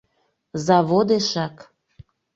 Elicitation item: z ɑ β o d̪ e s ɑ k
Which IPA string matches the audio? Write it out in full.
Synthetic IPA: z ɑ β o d̪ e ʃ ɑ k

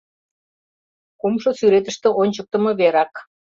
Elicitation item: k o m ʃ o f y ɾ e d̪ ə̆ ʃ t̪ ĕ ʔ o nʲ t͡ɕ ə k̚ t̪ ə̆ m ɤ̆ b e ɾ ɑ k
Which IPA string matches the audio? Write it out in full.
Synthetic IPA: k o m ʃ o s y ɾ e t̪ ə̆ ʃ t̪ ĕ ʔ o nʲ t͡ɕ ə k̚ t̪ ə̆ m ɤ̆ β e ɾ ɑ k

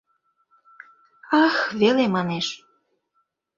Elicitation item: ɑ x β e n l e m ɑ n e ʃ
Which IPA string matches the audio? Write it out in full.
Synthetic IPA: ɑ x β e l e m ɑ n e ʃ

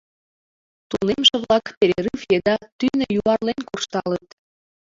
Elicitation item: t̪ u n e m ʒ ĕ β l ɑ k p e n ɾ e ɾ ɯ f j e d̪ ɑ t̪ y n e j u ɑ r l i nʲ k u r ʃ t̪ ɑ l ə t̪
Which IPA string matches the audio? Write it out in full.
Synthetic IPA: t̪ u n e m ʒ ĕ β l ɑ k p e ɾ e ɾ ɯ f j e d̪ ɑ t̪ y n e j u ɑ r l e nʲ k u r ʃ t̪ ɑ l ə t̪

